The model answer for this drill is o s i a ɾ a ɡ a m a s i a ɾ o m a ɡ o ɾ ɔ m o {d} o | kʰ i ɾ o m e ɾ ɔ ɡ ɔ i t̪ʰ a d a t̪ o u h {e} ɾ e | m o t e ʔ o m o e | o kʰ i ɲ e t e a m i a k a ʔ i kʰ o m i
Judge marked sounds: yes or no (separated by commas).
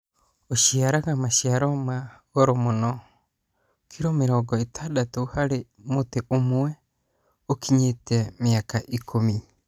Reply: no, no